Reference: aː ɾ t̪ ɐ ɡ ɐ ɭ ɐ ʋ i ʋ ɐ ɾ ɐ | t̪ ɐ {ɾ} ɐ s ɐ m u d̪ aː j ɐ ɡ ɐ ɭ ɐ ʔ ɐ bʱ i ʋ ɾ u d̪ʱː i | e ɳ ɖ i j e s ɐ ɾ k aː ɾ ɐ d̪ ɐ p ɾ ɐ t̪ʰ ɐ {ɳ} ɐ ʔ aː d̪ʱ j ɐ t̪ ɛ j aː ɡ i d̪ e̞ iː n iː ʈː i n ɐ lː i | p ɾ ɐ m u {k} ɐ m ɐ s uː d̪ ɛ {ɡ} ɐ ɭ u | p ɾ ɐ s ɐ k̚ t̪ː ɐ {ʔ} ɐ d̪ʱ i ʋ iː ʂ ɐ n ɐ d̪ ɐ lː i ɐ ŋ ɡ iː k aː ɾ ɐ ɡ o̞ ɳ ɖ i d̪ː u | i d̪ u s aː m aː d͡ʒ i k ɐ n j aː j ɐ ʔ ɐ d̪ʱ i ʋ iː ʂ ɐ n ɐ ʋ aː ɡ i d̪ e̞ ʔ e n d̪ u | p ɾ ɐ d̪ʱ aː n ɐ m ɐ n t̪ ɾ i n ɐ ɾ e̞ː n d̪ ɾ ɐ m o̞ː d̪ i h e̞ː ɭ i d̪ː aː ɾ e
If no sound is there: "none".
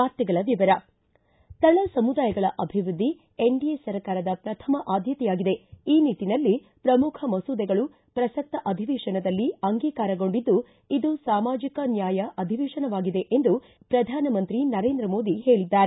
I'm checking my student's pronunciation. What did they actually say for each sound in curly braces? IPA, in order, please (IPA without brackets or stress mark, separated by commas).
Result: ɭ, m, kʰ, ɡ, ʔ